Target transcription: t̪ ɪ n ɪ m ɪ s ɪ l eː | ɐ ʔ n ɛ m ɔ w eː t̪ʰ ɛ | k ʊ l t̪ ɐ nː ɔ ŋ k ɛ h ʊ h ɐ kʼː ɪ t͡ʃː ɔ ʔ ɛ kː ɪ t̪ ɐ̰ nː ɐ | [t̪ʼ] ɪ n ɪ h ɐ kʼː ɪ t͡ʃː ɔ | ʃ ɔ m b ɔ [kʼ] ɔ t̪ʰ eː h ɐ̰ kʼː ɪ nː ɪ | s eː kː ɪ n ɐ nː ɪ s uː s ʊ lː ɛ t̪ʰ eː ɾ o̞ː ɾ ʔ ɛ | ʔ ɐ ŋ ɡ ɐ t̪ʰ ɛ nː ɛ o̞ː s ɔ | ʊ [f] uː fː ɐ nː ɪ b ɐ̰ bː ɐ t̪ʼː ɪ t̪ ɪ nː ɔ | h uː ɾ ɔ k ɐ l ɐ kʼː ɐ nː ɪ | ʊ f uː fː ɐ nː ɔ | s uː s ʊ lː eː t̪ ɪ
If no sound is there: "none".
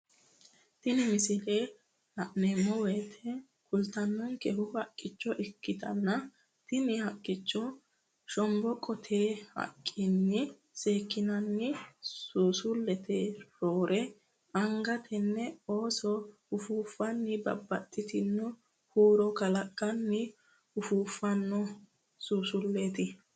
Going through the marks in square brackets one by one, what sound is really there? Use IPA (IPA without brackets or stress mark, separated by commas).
t̪, kʼ, f